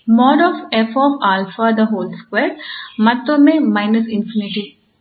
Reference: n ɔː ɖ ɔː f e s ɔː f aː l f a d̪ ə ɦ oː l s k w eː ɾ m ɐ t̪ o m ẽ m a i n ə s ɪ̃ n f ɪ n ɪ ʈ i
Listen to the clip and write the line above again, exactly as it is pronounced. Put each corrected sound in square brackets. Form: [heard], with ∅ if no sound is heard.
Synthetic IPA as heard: [m] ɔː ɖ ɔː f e [f] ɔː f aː l f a d̪ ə ɦ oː l s k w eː ɾ m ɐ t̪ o m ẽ m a [ɪ] n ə s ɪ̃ n f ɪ n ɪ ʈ i

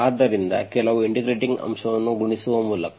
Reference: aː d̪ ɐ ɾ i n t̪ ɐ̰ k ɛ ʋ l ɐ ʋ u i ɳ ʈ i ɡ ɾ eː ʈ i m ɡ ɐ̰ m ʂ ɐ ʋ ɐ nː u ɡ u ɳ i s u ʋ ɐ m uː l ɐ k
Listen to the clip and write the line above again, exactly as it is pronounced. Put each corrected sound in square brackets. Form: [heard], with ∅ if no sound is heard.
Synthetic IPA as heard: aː d̪ ɐ ɾ i n [d̪] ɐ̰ k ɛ [∅] l ɐ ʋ u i ɳ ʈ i ɡ ɾ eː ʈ i [ŋ] ɡ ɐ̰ m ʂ ɐ ʋ ɐ nː u ɡ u ɳ i s u ʋ ɐ m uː l ɐ k

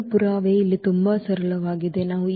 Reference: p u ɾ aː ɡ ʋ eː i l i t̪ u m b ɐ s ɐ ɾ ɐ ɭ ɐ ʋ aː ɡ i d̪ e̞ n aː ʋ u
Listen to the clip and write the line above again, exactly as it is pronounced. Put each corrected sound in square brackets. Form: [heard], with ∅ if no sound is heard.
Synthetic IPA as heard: p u ɾ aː [∅] ʋ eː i [lː] i t̪ u m b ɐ s ɐ ɾ ɐ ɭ ɐ ʋ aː ɡ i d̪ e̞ n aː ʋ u

